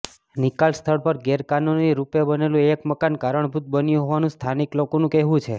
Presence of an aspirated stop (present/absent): present